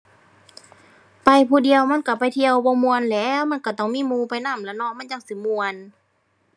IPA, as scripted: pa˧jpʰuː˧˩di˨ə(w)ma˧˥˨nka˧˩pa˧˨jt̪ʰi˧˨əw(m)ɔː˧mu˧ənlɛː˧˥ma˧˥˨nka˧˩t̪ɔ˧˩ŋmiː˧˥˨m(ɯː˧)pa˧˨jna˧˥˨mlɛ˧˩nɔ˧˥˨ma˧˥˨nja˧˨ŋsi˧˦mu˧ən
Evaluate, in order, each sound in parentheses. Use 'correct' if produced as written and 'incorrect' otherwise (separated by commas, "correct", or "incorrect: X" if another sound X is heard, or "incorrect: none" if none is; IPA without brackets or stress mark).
correct, incorrect: b, incorrect: uː˧